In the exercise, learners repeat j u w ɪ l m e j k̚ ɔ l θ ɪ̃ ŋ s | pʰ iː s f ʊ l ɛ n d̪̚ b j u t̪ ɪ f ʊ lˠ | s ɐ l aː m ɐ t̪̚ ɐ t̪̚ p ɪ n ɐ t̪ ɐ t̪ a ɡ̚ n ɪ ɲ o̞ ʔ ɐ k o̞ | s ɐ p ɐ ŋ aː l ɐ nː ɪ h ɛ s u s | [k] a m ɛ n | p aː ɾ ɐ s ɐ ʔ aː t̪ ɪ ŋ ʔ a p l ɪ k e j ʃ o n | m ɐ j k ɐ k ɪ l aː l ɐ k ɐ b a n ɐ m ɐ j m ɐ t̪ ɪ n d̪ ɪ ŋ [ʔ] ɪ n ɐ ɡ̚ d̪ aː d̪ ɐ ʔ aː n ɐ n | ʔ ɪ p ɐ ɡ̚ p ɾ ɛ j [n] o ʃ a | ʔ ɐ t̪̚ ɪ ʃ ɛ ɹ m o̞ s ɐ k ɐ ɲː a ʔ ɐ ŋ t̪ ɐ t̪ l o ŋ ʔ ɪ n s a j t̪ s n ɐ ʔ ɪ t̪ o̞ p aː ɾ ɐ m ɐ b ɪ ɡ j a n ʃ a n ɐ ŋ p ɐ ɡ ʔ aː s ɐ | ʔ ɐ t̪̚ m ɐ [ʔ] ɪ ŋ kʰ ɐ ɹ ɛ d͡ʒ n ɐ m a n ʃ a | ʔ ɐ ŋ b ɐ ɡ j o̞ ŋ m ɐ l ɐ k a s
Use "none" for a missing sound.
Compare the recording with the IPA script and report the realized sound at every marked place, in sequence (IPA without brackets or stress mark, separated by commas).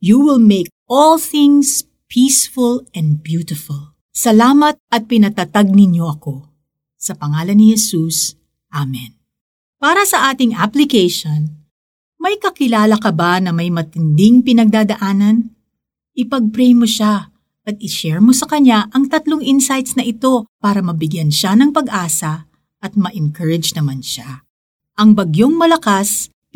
ʔ, p, m, ʔ